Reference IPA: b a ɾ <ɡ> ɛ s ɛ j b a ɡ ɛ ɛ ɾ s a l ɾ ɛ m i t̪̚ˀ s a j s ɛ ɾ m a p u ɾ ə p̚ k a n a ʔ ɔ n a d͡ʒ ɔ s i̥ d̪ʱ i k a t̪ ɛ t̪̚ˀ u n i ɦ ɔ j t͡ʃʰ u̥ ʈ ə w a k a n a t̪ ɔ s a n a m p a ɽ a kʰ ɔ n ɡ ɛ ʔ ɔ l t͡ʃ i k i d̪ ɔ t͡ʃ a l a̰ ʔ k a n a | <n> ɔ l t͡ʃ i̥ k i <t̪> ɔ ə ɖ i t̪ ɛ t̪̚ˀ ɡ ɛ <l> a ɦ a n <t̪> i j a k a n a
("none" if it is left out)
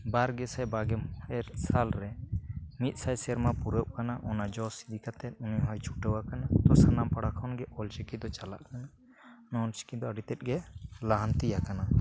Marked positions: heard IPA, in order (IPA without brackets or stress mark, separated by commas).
ɡ, n, d̪, l, t̪